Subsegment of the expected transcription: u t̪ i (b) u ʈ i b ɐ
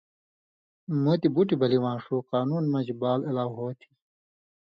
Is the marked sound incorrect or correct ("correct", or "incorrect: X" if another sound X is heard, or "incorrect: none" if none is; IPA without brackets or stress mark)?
correct